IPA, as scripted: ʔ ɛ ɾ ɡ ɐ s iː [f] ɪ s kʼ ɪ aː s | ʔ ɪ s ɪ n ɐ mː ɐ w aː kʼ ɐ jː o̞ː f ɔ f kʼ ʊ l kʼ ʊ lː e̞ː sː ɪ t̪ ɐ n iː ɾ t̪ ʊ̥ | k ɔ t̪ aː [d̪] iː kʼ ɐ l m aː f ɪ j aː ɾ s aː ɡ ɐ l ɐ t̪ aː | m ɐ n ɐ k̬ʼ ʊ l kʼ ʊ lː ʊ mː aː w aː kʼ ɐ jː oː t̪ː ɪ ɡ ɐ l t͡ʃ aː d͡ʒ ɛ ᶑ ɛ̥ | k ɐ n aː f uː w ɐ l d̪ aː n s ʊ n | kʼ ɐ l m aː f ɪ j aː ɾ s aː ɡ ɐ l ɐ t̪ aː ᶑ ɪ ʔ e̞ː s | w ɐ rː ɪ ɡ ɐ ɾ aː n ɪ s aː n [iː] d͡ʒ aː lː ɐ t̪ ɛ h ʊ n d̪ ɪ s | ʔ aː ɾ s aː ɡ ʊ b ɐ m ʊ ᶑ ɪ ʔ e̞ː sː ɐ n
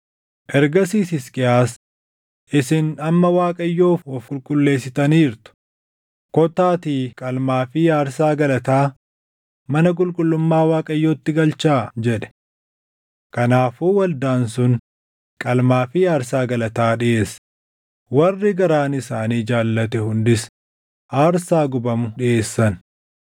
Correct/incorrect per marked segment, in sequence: incorrect: s, incorrect: t̪, correct

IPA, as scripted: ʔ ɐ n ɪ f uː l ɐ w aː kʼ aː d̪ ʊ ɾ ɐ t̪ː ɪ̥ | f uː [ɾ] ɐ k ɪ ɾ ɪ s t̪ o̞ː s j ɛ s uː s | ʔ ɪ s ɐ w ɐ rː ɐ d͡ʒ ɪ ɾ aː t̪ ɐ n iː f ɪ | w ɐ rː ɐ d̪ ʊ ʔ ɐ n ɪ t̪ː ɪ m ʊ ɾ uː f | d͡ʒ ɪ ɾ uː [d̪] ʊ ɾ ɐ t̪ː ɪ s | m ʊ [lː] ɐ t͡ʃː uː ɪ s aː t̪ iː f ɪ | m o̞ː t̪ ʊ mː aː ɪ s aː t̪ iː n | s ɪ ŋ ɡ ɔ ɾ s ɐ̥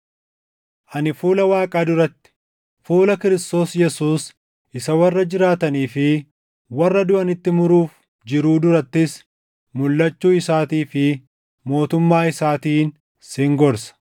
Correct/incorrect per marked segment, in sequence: incorrect: l, correct, correct

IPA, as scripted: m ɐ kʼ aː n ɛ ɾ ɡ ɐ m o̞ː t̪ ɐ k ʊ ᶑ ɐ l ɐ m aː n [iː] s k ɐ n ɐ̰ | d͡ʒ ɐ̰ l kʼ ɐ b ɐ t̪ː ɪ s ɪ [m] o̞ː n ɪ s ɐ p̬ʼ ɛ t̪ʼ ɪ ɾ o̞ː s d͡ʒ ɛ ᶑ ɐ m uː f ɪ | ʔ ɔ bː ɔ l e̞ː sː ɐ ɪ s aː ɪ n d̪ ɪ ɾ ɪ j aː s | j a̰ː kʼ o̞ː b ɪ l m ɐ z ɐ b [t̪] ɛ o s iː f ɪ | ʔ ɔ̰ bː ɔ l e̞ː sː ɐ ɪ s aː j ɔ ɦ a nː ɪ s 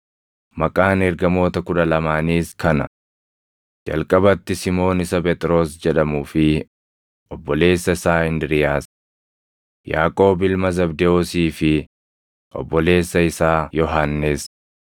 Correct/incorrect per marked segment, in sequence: correct, correct, incorrect: d̪

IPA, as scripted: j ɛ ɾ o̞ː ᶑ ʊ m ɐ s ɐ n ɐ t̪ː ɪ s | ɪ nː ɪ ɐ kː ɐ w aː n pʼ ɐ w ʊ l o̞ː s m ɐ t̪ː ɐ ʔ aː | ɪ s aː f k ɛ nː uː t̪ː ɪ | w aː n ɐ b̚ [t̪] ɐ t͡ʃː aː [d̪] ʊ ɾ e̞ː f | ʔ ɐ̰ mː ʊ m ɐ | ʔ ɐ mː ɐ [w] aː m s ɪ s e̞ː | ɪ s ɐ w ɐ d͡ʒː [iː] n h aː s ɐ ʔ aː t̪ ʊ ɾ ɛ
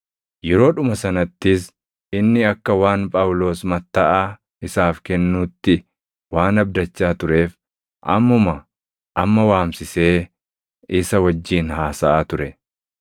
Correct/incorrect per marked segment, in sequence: incorrect: d̪, incorrect: t̪, correct, correct

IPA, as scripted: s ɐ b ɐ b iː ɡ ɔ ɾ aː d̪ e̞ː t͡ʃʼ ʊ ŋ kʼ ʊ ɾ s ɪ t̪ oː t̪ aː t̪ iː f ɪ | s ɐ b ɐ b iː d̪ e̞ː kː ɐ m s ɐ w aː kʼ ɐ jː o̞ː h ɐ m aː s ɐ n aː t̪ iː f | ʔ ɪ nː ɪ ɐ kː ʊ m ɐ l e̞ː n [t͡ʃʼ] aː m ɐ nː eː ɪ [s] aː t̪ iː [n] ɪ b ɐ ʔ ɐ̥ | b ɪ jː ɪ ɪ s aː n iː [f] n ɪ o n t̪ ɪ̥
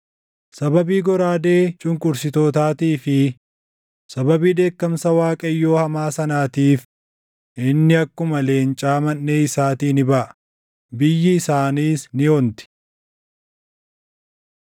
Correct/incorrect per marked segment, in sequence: correct, correct, correct, incorrect: s

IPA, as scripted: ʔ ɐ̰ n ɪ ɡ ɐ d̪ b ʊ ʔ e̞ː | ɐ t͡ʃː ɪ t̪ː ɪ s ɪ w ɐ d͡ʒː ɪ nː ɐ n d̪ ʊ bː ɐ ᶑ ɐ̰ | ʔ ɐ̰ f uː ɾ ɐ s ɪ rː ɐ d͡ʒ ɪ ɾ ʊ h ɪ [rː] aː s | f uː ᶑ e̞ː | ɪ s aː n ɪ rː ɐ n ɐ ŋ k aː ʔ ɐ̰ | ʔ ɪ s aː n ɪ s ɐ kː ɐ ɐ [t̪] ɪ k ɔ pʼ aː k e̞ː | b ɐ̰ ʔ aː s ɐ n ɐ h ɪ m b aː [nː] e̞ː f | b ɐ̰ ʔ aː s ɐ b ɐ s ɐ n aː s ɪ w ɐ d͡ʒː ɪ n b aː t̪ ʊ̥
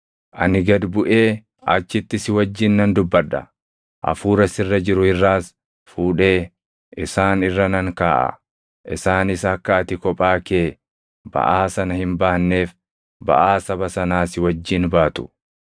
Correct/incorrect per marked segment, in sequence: correct, correct, correct

